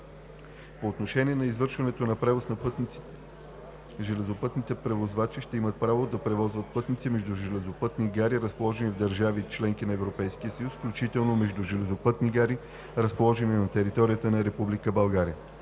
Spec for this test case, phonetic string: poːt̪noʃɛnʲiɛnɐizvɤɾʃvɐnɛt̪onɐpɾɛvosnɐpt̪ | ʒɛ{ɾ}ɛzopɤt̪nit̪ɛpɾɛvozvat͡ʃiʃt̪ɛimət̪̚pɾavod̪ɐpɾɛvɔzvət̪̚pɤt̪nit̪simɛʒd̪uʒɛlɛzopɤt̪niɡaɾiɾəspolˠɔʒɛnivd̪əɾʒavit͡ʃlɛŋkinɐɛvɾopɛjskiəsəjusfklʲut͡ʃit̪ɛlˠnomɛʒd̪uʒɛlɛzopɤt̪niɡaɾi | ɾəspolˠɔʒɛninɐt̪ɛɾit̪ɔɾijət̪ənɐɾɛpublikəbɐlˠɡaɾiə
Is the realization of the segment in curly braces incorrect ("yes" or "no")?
yes